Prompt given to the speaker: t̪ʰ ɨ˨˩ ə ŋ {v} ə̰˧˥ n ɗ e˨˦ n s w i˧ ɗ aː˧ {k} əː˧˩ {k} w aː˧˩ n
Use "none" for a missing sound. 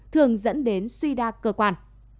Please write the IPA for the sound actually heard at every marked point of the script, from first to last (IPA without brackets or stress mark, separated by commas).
z, k, k